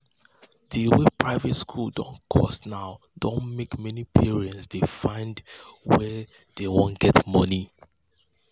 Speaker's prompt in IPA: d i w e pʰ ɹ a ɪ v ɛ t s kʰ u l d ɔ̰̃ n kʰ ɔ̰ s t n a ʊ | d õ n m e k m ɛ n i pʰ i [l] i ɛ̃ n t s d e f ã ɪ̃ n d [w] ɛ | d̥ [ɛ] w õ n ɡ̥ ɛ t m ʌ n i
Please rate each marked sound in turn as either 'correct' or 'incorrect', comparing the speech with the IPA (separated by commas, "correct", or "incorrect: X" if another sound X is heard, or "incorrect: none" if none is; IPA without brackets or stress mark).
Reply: incorrect: ɹ, correct, incorrect: e